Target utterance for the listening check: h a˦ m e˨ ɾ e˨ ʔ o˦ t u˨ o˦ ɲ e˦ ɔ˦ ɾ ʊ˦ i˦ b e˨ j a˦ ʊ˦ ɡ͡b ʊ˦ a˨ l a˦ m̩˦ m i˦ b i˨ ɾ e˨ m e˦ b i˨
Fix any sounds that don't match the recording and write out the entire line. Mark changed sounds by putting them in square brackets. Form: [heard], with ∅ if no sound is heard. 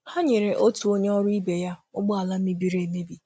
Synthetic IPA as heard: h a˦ [ɲ] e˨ ɾ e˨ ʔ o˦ t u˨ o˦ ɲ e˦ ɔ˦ ɾ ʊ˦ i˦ b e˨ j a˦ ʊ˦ ɡ͡b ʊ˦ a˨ l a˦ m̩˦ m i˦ b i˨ ɾ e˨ m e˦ b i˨